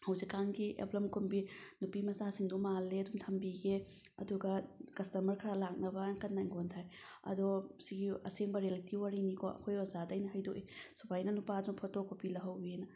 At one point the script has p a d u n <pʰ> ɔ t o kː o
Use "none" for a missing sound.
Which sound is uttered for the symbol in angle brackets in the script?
pʰ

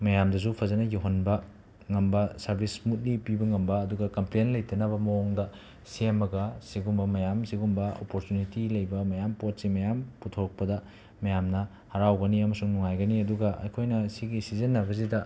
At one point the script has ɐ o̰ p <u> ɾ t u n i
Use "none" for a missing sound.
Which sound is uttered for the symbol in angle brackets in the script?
o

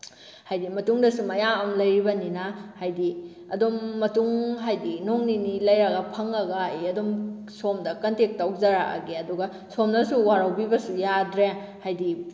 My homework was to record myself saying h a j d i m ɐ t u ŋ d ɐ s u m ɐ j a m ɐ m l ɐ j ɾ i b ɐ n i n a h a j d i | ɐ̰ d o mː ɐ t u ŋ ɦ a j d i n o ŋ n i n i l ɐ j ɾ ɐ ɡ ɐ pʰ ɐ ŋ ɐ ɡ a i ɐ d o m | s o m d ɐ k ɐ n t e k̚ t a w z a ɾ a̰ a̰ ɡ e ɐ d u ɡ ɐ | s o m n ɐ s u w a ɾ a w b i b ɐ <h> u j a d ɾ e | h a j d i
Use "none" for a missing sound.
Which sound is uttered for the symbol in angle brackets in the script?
s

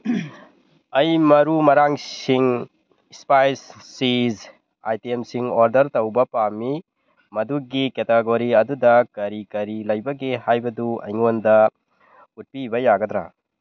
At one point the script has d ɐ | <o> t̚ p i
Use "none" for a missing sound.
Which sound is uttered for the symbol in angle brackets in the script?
u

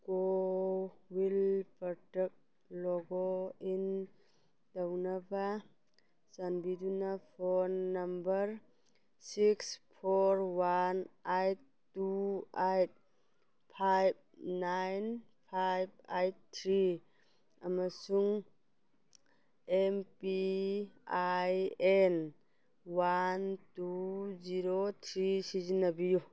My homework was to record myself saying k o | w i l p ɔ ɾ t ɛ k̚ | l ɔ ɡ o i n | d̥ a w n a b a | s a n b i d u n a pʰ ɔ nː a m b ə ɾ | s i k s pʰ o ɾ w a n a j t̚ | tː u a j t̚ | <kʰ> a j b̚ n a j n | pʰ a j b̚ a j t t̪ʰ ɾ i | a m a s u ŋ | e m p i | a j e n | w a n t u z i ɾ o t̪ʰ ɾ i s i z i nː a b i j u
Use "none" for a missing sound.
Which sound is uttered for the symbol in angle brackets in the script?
pʰ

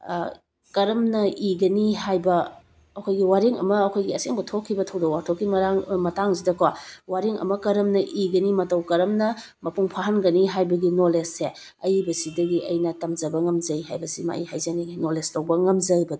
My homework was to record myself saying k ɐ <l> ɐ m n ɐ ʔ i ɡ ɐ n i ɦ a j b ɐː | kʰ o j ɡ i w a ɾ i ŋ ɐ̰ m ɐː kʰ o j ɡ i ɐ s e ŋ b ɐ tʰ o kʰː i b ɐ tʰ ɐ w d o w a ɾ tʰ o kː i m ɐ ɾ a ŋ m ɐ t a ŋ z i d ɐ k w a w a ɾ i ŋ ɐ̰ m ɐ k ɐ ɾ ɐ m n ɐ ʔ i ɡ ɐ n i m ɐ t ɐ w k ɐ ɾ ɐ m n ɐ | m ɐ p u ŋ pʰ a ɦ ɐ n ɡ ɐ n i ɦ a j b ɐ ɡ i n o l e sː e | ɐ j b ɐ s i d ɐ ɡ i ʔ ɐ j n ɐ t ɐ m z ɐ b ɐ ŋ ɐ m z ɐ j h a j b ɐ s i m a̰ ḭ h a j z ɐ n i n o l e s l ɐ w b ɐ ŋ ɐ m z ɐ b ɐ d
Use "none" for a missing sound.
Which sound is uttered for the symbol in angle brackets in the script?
ɾ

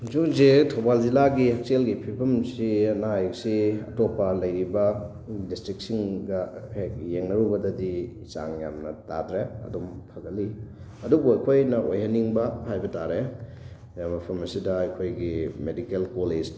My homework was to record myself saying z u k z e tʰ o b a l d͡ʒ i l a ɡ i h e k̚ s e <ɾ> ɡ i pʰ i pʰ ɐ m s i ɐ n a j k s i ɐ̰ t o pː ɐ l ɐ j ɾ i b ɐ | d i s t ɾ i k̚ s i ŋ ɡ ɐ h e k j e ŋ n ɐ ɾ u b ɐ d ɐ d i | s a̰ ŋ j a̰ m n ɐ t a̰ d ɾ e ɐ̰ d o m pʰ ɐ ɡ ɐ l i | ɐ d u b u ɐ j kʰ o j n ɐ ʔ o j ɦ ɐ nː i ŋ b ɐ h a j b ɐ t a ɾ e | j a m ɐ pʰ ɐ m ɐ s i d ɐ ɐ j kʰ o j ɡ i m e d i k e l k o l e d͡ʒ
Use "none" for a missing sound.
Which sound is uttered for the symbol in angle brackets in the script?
l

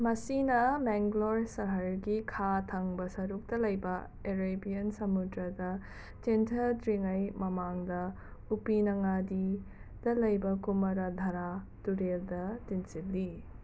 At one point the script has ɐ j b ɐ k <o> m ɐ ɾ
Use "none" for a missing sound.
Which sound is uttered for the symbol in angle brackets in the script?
u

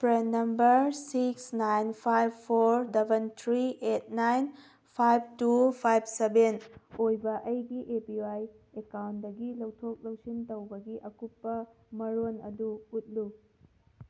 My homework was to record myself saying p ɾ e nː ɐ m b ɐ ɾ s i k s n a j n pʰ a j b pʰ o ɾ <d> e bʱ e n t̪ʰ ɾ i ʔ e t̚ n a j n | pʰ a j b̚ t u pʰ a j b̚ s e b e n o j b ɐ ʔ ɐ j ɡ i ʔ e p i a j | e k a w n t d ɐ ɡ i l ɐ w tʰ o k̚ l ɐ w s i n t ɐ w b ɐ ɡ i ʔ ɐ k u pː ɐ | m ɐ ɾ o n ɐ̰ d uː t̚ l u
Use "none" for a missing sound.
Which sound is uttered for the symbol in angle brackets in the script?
d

